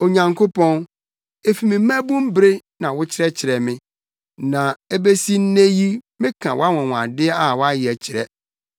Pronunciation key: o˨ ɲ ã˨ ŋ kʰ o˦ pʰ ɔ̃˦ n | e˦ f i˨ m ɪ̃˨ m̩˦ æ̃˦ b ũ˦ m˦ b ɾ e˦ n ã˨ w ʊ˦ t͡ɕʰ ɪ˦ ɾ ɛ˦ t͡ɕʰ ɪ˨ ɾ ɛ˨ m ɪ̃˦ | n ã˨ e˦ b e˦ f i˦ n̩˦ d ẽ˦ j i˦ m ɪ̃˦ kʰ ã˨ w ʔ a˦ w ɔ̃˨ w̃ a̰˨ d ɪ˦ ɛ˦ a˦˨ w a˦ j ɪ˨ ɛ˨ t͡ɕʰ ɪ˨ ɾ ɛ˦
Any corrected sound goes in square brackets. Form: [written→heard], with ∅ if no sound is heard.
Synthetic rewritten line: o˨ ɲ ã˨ ŋ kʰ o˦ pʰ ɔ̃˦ n | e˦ f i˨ m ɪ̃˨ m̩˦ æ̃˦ b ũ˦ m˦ b ɾ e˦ n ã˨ w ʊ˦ t͡ɕʰ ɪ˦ ɾ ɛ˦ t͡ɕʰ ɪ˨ ɾ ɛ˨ m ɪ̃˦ | n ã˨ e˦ b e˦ [f→s] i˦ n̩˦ [d→n] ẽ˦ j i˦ m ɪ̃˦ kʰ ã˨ w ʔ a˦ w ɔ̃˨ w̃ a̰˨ d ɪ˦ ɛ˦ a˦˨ w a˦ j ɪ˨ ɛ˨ t͡ɕʰ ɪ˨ ɾ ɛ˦